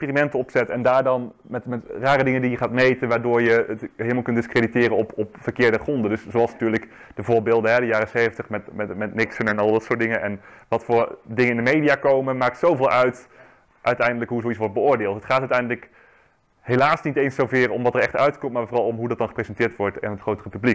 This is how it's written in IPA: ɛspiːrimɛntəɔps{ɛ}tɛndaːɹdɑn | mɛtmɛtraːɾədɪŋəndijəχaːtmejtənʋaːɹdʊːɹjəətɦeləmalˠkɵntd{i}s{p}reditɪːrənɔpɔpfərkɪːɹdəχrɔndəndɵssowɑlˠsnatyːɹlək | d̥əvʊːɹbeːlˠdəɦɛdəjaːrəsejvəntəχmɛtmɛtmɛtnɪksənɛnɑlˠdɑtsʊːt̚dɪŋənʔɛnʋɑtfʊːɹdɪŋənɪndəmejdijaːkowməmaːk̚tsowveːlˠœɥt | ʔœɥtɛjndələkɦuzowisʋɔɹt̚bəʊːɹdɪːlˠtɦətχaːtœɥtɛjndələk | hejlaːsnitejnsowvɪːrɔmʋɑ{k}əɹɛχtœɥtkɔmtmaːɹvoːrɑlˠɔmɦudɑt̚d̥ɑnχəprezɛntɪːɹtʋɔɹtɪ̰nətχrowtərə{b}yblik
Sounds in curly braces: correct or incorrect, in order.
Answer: correct, incorrect: ɪ, incorrect: k, incorrect: t, incorrect: p

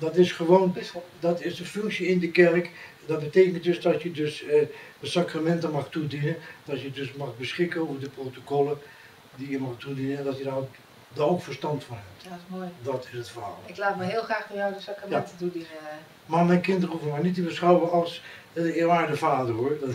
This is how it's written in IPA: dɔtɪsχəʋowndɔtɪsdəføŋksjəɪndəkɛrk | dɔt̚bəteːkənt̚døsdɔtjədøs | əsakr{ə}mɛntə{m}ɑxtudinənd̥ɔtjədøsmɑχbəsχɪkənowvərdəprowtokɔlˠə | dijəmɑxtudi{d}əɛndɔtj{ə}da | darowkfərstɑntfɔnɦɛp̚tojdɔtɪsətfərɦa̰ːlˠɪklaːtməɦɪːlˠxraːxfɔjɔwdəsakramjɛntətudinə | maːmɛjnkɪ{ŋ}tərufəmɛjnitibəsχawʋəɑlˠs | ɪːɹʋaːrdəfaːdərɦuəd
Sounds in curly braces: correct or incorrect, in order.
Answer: incorrect: a, correct, incorrect: n, correct, incorrect: n

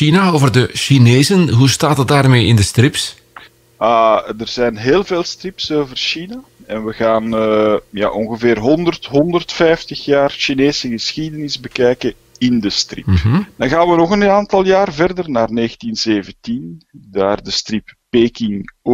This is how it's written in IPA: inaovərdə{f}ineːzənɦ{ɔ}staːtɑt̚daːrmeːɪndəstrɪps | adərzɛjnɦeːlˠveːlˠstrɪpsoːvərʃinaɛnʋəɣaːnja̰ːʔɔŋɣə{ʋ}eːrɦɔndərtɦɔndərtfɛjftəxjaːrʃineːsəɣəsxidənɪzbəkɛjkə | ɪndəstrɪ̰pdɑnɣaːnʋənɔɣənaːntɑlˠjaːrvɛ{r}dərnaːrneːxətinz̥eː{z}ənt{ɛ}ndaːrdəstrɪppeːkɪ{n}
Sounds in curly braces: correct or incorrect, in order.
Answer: incorrect: ʃ, incorrect: u, incorrect: v, correct, incorrect: v, incorrect: i, incorrect: ŋ

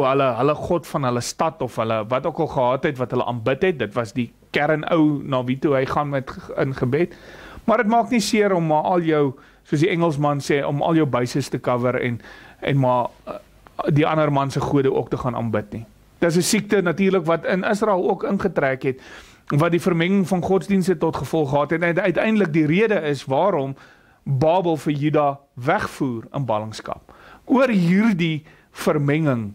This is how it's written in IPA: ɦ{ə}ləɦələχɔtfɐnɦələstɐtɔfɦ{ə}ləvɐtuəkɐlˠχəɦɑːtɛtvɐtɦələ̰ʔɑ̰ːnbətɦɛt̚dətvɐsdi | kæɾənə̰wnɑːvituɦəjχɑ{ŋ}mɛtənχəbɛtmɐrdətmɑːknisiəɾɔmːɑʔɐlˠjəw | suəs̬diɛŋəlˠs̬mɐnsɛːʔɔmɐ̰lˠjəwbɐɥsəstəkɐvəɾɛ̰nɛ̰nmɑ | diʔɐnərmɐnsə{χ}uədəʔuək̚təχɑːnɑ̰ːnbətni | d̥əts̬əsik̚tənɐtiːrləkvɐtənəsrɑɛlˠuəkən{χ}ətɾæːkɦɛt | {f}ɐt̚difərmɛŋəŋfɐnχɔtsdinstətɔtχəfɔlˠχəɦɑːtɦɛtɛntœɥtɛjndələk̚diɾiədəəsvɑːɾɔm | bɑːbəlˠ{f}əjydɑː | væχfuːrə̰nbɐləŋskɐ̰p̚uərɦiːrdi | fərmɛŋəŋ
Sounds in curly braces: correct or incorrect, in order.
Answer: correct, correct, incorrect: n, correct, correct, incorrect: v, correct

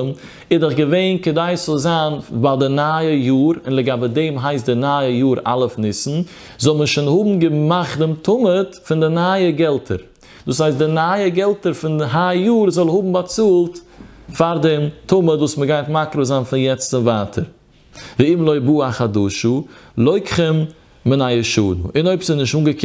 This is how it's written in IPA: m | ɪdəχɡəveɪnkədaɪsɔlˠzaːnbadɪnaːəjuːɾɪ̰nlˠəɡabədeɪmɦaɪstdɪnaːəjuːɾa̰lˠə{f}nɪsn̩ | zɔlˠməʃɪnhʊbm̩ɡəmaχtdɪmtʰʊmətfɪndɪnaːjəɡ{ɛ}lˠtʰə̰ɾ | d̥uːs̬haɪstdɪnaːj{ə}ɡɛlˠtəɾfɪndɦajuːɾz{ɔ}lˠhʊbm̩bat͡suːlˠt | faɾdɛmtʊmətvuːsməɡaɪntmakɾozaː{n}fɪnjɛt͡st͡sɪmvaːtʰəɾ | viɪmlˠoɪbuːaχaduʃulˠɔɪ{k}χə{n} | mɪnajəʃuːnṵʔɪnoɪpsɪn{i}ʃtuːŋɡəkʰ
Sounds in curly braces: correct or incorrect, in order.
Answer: correct, correct, correct, correct, correct, correct, incorrect: m, incorrect: ɪ

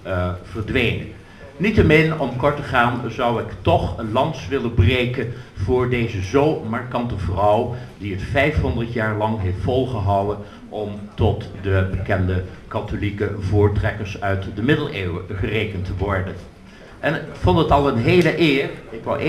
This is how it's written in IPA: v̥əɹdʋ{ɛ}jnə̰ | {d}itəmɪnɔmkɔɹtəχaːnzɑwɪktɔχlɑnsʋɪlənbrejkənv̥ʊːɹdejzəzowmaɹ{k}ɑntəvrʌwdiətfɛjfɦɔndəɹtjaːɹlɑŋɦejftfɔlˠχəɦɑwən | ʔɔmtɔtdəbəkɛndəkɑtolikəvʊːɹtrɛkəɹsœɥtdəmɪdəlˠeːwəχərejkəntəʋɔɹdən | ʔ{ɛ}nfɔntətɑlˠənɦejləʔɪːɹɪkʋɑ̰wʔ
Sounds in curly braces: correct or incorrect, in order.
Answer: incorrect: e, incorrect: n, correct, correct

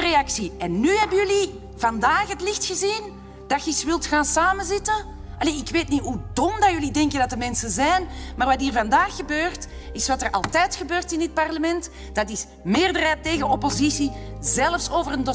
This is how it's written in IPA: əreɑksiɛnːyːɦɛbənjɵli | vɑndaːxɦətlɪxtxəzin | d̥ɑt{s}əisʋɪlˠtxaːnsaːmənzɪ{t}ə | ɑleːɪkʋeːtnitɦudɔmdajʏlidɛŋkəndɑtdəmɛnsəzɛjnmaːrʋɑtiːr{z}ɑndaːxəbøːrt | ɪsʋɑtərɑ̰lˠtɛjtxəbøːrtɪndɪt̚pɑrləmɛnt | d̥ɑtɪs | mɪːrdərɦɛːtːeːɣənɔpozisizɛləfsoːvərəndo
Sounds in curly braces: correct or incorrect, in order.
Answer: incorrect: x, correct, incorrect: v

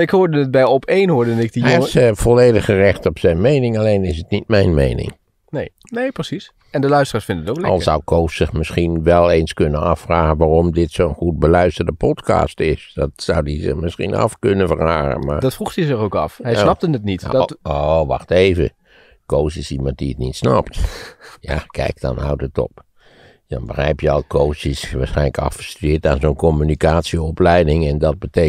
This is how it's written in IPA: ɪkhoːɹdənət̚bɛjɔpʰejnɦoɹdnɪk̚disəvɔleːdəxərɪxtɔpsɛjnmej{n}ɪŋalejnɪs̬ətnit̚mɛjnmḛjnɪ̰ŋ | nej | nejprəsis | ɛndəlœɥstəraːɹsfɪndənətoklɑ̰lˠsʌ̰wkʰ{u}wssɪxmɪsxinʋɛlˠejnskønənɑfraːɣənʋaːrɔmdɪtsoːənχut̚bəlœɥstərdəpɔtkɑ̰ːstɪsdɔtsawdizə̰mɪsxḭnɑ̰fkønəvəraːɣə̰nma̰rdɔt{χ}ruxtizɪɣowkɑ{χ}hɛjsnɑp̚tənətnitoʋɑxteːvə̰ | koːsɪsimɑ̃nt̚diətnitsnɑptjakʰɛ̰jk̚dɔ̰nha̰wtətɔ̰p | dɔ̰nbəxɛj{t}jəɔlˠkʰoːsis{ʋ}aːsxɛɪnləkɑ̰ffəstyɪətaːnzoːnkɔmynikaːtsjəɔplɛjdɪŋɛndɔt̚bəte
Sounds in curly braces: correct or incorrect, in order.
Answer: correct, incorrect: o, incorrect: f, incorrect: f, incorrect: p, correct

